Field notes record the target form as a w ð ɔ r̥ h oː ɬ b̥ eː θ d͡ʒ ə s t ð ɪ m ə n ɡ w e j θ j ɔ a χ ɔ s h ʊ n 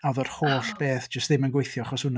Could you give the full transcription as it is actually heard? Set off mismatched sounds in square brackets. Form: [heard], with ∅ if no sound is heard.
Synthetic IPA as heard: a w ð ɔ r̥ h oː ɬ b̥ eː θ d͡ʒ ə s t ð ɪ m ə n ɡ w e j θ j ɔ a χ ɔ s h ʊ n